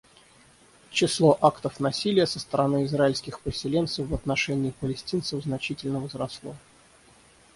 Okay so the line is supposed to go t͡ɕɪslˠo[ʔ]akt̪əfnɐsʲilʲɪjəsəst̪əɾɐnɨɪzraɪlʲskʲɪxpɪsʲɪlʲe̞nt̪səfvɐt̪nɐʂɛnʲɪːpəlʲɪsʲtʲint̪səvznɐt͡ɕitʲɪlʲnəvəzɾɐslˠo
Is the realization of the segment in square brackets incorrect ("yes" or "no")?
no